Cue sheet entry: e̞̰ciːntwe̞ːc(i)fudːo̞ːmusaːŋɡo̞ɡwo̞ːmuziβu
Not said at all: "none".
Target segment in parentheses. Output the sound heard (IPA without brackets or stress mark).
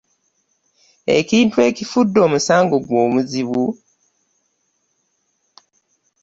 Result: i